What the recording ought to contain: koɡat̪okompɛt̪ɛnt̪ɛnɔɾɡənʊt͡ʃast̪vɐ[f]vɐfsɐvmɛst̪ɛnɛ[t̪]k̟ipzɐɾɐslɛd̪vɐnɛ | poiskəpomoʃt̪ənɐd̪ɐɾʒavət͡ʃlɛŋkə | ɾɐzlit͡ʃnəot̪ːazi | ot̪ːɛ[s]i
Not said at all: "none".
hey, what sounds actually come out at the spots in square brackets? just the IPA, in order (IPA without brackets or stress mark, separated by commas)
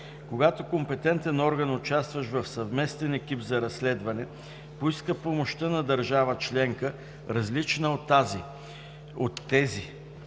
ʃ, none, z